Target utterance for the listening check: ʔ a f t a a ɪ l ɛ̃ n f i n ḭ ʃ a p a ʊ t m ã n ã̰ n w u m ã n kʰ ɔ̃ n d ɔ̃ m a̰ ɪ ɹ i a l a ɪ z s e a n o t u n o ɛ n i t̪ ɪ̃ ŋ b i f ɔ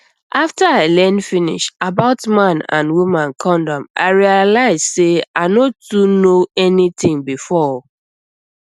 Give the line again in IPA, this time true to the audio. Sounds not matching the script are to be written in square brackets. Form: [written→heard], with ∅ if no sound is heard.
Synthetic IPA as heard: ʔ a f t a a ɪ l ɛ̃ n f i n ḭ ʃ a [p→b] a ʊ t m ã n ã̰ n w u m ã n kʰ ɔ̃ n d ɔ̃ m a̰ ɪ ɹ i a l a ɪ z s e a n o t u n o ɛ n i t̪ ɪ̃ ŋ b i f ɔ